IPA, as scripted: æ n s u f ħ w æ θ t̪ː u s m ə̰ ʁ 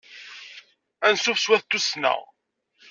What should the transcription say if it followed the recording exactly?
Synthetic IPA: æ n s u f s w æ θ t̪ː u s n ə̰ ʁ